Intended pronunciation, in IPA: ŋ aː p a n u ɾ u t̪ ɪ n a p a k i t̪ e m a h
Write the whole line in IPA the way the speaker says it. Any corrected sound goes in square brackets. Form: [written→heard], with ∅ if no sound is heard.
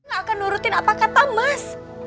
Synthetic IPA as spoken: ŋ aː [p→k] a n u ɾ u t̪ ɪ n a p a k [i→a] t̪ [e→a] m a [h→s]